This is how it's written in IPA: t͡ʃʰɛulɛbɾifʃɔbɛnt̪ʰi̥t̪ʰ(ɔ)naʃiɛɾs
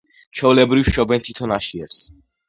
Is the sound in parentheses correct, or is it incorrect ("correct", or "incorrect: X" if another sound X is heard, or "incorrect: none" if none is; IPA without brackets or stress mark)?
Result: correct